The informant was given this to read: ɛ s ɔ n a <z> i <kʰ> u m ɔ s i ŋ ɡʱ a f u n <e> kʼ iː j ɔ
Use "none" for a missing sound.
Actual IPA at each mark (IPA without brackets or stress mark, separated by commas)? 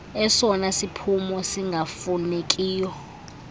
s, pʰ, e